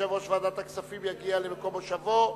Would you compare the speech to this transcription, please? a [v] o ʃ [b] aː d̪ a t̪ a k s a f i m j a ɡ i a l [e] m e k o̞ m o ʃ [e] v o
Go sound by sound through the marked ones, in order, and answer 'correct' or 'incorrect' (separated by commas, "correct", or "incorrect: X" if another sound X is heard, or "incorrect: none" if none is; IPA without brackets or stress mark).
correct, incorrect: v, correct, incorrect: a